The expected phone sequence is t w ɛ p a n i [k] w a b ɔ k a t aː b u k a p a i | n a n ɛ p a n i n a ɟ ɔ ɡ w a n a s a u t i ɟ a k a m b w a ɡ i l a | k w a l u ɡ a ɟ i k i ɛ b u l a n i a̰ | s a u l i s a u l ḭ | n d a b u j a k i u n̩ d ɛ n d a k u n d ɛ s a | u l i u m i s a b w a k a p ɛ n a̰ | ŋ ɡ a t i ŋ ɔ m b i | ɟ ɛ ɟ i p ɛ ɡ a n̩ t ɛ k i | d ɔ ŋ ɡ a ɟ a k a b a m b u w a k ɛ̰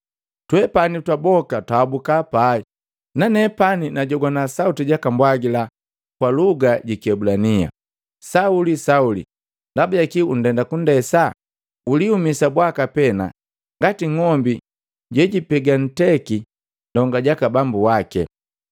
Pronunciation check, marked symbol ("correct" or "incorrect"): incorrect